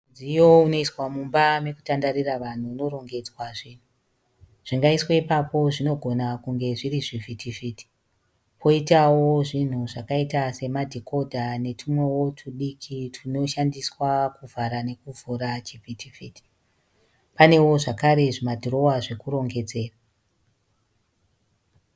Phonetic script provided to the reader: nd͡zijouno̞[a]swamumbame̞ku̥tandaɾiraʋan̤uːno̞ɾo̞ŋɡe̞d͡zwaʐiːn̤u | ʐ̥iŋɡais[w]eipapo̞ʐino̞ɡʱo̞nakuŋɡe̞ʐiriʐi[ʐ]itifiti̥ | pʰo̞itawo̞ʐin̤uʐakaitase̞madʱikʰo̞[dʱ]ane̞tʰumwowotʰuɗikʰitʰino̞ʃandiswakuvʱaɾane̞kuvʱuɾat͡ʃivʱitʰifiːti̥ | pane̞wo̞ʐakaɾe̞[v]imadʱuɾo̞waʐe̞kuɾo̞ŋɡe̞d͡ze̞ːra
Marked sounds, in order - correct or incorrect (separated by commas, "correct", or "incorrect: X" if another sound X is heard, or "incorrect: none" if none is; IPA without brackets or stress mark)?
incorrect: i, correct, incorrect: v, correct, incorrect: ʐ